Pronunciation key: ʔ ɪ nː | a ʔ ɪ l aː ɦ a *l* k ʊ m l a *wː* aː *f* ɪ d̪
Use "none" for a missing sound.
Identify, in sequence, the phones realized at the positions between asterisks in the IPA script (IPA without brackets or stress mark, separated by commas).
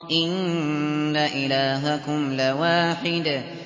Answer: none, w, ħ